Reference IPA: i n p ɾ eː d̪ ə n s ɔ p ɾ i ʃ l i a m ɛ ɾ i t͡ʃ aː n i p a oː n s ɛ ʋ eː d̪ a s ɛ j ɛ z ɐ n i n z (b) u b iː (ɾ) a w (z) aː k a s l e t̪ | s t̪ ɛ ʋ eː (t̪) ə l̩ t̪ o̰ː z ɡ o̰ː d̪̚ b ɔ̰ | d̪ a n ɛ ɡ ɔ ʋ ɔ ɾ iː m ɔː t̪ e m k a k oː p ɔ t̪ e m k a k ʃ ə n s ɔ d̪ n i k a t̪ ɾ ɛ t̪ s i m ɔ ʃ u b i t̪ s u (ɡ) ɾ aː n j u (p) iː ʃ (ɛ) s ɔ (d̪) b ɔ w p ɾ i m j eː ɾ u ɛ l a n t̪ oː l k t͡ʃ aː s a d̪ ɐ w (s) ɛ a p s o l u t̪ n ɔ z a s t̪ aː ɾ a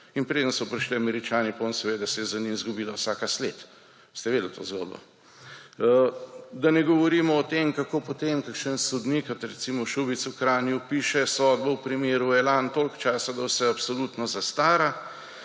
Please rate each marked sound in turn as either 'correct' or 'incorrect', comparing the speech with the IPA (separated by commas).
incorrect, incorrect, incorrect, incorrect, incorrect, correct, correct, correct, correct